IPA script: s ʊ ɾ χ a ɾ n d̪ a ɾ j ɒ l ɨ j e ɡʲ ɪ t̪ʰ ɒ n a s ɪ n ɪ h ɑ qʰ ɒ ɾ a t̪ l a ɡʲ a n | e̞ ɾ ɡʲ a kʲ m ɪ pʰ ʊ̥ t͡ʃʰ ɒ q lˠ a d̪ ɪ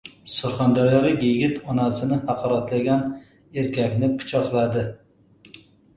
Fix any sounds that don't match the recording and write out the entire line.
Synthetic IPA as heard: s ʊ ɾ χ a n d̪ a ɾ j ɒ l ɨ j e ɡʲ ɪ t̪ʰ ɒ n a s ɪ n ɪ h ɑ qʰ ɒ ɾ a t̪ l a ɡʲ a n | e̞ ɾ kʲ a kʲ n ɪ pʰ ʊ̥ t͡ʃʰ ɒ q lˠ a d̪ ɪ